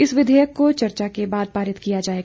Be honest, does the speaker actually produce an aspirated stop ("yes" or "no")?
no